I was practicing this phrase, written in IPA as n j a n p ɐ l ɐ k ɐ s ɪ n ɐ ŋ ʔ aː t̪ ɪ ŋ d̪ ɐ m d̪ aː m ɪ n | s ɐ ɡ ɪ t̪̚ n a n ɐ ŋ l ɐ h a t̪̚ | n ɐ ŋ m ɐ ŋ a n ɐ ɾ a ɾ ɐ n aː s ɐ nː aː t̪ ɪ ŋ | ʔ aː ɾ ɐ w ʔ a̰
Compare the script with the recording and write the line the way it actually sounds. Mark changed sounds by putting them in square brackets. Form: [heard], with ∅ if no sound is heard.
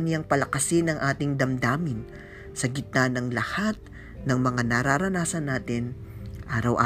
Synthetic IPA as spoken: n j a [ŋ] p ɐ l ɐ k ɐ s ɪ n ɐ ŋ ʔ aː t̪ ɪ ŋ d̪ ɐ m d̪ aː m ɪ n | s ɐ ɡ ɪ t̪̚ n a n ɐ ŋ l ɐ h a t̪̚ | n ɐ ŋ m ɐ ŋ a n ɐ ɾ a ɾ ɐ n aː s ɐ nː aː t̪ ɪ [n] | ʔ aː ɾ ɐ w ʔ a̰